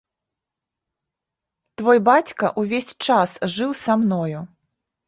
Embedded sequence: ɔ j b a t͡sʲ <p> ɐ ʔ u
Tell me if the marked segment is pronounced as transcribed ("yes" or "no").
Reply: no